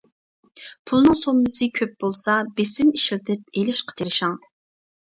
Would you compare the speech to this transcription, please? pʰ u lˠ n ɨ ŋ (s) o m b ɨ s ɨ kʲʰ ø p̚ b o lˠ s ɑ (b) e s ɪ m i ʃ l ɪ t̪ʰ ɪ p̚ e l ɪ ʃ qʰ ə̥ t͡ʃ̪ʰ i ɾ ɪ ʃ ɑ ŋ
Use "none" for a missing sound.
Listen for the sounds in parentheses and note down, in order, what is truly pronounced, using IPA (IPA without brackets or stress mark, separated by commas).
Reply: s, b